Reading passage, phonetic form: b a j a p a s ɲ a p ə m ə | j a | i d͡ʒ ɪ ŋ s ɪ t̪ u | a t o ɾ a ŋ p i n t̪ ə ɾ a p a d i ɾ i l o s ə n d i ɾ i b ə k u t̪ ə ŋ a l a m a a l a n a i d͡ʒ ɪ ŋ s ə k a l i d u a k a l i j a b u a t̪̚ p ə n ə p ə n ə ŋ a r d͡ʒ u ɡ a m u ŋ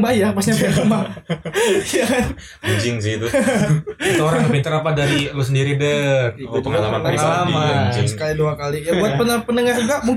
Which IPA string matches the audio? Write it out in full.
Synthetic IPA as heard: b a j a p a s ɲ a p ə m a | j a | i d͡ʒ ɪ ŋ s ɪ t̪ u | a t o ɾ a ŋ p i n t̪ ə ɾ a p a d a ɾ i l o s ə n d i ɾ i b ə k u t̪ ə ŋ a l a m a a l a m a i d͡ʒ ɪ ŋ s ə k a l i d u a k a l i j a b u a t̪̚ p ə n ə p ə n ə ŋ a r d͡ʒ u ɡ a m u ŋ